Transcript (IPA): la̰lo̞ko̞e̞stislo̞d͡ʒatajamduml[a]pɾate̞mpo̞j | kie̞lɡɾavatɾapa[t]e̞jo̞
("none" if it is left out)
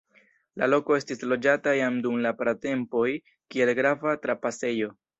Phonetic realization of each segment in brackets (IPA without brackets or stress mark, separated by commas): a, s